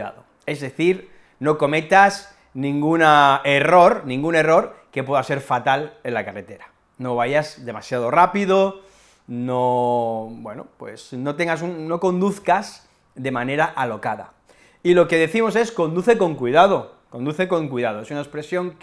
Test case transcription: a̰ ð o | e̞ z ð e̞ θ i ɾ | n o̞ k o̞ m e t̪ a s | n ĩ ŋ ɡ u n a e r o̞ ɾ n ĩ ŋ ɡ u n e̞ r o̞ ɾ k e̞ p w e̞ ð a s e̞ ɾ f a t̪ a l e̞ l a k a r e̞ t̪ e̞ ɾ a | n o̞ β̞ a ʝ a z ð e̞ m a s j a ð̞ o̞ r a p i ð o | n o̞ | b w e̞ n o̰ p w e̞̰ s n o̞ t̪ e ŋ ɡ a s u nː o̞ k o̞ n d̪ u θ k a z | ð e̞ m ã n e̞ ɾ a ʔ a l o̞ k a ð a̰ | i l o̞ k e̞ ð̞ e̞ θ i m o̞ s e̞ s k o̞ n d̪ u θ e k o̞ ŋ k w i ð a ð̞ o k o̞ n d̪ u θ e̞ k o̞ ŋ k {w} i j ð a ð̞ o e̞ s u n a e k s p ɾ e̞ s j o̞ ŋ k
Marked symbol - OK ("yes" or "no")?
yes